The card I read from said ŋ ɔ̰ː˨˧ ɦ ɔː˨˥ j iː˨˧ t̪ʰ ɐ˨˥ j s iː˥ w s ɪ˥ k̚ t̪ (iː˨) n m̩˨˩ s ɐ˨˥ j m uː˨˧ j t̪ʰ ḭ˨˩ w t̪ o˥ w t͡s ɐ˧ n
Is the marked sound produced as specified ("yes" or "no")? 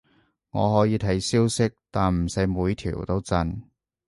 no